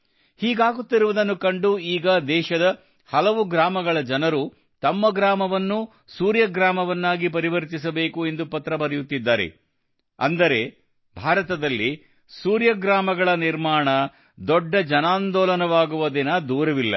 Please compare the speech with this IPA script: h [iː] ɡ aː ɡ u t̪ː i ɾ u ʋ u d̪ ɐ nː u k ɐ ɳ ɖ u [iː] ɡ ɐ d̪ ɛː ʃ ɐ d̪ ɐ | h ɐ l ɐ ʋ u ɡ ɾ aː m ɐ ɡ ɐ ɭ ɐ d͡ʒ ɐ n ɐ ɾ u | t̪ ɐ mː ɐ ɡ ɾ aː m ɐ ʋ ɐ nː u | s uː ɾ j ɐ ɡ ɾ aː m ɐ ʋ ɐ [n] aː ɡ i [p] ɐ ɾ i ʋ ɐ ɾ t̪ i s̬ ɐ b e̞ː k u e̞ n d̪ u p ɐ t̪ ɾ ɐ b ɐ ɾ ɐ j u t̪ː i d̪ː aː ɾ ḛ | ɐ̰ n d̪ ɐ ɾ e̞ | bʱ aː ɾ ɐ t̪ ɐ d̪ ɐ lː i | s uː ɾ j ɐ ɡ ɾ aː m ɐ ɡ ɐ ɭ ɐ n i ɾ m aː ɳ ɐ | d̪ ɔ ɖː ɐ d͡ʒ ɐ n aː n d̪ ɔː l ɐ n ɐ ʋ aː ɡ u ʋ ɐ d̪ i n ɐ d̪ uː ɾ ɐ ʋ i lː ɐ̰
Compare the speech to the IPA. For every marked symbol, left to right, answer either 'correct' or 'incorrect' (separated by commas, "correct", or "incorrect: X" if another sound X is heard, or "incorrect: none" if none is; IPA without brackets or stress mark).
correct, correct, incorrect: nː, correct